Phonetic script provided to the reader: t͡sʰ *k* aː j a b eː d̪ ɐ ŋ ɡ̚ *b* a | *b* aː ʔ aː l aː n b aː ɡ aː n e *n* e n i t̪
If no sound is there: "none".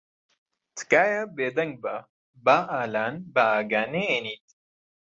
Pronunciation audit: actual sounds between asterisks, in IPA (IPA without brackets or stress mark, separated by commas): k, b, b, none